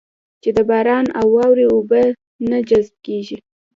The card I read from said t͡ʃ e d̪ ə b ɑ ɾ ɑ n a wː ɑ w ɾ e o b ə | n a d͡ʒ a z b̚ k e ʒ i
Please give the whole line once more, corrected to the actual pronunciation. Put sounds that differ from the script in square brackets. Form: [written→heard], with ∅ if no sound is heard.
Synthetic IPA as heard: t͡ʃ e d̪ ə b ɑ ɾ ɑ n a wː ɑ w ɾ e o b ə | n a d͡ʒ a z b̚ k e ʒ i